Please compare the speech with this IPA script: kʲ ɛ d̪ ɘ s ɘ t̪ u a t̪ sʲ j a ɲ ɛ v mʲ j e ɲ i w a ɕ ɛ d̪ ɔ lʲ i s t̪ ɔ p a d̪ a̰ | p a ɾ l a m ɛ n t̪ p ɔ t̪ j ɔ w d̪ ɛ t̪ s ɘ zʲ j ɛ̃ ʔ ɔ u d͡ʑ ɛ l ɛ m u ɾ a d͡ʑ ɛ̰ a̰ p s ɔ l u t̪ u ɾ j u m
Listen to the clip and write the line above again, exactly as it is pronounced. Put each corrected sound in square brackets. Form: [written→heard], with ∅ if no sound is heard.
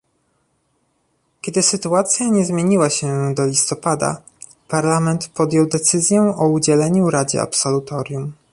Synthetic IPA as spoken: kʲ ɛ d̪ ɘ s ɘ t̪ u a t̪ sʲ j a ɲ ɛ [v→z] mʲ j e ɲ i w a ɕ ɛ d̪ ɔ lʲ i s t̪ ɔ p a d̪ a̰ | p a ɾ l a m ɛ n t̪ p ɔ [t̪→d̪] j ɔ w d̪ ɛ t̪ s ɘ zʲ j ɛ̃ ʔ ɔ u d͡ʑ ɛ l ɛ [m→ɲ] u ɾ a d͡ʑ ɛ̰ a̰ p s ɔ l u t̪ [u→ɔ] ɾ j u m